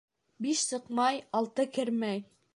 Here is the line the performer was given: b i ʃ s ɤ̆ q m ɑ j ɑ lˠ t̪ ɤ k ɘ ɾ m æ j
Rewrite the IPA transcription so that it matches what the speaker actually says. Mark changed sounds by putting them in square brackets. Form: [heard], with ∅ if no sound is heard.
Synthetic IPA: b i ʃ s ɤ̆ q m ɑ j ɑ lˠ t̪ ɤ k ɘ ɾ m æ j